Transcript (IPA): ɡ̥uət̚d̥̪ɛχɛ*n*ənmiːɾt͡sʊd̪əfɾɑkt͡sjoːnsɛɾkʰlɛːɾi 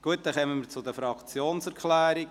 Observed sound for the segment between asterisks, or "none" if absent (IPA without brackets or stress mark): m